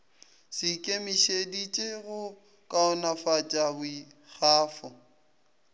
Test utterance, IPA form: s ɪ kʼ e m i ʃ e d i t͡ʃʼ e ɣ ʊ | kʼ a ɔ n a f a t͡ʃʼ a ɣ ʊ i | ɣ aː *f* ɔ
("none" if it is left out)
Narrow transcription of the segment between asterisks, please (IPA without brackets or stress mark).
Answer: f